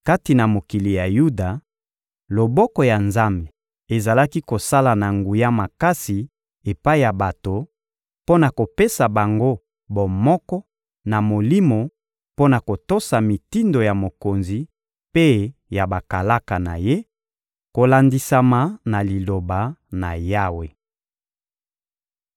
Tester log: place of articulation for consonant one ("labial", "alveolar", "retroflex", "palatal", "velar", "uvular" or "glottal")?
velar